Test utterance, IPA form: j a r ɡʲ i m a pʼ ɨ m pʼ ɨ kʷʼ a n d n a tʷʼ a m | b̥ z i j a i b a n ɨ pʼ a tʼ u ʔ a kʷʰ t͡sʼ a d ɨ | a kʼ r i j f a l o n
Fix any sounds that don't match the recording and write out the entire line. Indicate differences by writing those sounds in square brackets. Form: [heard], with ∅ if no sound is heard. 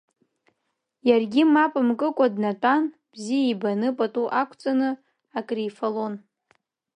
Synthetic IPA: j a r ɡʲ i m a pʼ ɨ m [kʼ] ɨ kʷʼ a [∅] d n a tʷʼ a [n] | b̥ z i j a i b a n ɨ pʼ a tʼ u ʔ a kʷʰ t͡sʼ a [n] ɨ | a kʼ r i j f a l o n